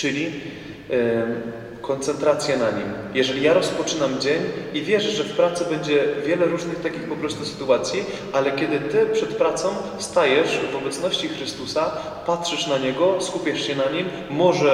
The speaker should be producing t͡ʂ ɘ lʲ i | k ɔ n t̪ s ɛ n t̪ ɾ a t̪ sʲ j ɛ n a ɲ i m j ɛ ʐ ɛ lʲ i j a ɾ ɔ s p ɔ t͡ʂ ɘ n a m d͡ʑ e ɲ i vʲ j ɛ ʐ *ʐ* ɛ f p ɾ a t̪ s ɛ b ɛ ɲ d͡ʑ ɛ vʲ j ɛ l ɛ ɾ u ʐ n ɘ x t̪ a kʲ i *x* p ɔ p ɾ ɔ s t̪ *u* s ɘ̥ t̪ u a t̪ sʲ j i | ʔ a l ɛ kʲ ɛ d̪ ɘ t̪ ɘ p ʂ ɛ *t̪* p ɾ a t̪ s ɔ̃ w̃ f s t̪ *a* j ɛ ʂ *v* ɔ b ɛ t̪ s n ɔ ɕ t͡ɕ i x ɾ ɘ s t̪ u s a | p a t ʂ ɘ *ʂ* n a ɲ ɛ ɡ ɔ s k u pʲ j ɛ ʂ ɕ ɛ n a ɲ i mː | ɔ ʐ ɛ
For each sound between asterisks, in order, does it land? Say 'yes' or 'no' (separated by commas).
yes, yes, yes, yes, yes, yes, yes